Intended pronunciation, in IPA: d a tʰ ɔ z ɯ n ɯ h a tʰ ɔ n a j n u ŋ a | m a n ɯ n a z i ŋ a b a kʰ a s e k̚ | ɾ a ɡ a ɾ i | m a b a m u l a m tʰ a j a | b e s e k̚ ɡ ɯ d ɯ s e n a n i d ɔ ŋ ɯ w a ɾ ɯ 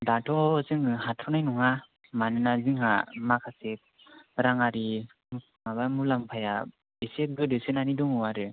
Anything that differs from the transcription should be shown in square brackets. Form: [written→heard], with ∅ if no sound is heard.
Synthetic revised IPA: d a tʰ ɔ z ɯ [n→ŋ] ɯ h a tʰ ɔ n a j n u ŋ a | m a n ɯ n a z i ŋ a [b→m] a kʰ a s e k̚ | ɾ a [ɡ→ŋ] a ɾ i | m a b a m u l a m [tʰ→pʰ] a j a | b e s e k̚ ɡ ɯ d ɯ s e n a n i d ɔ ŋ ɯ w a ɾ ɯ